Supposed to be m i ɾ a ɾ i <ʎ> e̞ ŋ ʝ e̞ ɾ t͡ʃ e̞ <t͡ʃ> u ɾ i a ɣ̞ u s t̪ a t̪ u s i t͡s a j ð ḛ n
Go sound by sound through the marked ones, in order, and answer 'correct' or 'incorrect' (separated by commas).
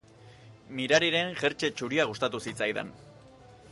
incorrect, correct